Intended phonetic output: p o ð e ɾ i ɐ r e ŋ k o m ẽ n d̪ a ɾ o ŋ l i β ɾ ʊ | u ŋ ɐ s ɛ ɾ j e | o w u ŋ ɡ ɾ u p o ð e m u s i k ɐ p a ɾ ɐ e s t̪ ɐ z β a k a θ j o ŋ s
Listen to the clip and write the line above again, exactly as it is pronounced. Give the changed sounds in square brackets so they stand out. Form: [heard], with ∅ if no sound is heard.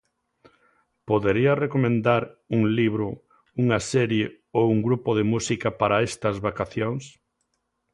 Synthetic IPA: p o ð e ɾ i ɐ r e [∅] k o m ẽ n d̪ a ɾ [u] ŋ l i β ɾ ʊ | u ŋ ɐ s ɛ ɾ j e | o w u ŋ ɡ ɾ u p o ð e m u s i k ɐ p a ɾ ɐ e s t̪ ɐ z β a k a θ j o ŋ s